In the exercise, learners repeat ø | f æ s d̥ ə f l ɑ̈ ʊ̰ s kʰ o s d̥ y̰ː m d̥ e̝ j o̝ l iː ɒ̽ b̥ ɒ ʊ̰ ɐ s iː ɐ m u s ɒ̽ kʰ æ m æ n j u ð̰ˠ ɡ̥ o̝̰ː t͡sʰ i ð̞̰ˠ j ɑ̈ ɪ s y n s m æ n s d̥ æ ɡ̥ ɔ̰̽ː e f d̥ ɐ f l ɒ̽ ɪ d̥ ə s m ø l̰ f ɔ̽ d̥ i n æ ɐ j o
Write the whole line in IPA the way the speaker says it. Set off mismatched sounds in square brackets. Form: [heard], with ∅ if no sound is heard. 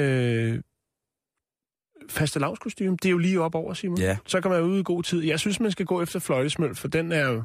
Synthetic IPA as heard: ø | f æ s d̥ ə [∅] l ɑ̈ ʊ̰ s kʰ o s d̥ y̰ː m d̥ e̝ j o̝ l iː ɒ̽ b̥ ɒ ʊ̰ ɐ s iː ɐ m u s ɒ̽ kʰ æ m æ n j u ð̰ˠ ɡ̥ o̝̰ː t͡sʰ i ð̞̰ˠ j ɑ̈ ɪ s y n s m æ n s [ɡ̥] æ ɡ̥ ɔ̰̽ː e f d̥ ɐ f l ɒ̽ ɪ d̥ ə s m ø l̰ f [ɒ̽] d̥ [e] n æ ɐ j o